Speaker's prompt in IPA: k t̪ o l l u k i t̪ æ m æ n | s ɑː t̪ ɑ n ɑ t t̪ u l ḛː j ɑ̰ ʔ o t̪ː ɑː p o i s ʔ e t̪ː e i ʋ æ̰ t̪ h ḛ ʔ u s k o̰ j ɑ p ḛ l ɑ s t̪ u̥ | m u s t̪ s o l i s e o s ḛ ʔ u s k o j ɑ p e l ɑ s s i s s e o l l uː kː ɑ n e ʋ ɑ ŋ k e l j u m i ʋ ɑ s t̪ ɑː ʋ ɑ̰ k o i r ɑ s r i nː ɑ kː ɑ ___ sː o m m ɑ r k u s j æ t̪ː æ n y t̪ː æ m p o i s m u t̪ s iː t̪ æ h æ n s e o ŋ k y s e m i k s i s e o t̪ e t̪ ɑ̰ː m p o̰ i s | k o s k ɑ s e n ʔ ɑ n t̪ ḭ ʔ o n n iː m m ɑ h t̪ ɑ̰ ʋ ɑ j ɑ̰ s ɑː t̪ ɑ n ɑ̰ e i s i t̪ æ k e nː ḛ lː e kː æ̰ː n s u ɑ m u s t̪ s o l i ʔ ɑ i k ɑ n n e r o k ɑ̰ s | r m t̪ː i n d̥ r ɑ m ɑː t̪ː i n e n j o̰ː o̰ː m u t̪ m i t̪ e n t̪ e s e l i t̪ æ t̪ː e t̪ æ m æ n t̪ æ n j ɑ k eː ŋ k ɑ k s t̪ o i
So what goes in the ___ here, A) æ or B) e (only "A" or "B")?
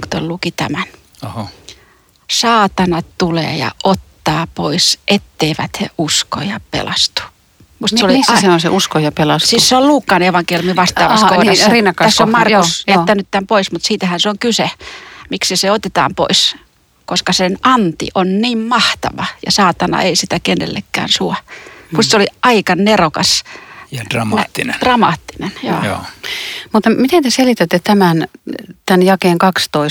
A